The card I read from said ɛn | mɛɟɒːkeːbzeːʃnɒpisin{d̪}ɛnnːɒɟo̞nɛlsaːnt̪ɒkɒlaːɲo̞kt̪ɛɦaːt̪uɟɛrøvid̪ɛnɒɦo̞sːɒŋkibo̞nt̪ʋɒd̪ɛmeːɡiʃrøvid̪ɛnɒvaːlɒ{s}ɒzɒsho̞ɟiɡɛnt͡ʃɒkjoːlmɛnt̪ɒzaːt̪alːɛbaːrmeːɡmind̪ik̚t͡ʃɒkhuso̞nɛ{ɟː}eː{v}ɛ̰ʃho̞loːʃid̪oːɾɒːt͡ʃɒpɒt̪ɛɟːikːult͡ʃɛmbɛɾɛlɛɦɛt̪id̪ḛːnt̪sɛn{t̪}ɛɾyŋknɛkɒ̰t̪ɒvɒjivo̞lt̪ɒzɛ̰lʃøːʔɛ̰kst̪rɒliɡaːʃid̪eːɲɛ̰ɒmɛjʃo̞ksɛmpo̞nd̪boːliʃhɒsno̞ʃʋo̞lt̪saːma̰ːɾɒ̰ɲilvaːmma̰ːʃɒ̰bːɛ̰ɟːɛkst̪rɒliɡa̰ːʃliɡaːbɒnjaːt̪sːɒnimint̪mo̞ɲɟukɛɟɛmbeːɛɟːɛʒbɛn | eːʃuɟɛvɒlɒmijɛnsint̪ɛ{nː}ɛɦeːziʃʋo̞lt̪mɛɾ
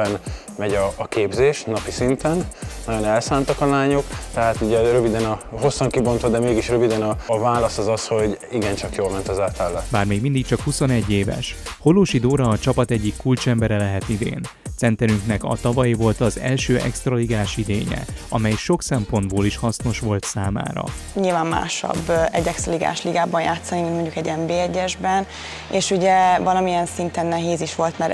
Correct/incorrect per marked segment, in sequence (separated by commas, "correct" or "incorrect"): incorrect, correct, correct, correct, correct, correct